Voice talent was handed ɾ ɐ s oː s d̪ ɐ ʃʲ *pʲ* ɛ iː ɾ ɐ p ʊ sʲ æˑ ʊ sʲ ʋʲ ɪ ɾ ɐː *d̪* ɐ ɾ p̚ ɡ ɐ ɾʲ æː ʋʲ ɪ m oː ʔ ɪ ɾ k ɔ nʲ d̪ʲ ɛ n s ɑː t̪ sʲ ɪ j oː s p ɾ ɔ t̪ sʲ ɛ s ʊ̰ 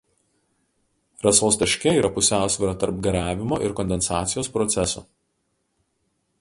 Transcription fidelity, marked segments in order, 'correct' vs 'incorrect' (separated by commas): incorrect, incorrect